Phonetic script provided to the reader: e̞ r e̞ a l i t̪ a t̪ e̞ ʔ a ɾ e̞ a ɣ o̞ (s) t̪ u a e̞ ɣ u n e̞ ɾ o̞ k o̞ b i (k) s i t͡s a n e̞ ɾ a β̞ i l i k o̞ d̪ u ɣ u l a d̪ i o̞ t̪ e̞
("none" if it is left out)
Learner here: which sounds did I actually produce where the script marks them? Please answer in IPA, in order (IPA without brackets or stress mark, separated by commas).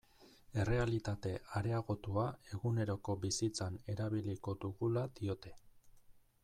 none, none